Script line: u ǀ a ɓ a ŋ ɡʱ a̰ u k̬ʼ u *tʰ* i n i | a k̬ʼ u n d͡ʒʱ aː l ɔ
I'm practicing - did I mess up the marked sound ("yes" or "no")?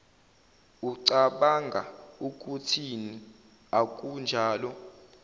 no